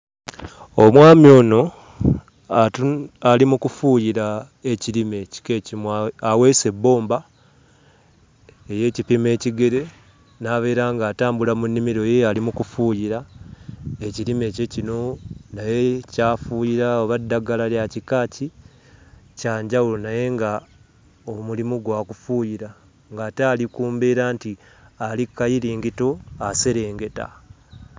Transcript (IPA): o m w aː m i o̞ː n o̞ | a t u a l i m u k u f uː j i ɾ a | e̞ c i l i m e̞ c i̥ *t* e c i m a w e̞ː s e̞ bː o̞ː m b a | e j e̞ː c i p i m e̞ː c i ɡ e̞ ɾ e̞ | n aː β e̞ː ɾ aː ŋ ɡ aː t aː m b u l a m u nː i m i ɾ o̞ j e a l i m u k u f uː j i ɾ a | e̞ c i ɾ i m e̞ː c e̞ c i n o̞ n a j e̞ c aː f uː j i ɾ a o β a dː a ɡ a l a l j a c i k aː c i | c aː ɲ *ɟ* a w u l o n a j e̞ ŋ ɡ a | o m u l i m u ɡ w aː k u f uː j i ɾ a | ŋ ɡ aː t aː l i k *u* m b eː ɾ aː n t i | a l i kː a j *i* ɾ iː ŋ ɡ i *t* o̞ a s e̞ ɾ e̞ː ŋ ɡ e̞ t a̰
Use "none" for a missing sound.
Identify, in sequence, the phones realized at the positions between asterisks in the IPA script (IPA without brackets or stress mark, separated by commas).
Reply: k, ɟ, uː, i, t